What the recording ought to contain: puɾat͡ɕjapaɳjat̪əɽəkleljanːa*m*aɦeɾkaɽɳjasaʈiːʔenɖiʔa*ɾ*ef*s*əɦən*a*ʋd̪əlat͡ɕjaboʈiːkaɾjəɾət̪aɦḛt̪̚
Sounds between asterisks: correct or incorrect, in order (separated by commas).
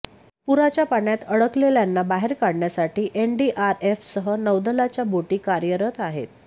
incorrect, correct, correct, incorrect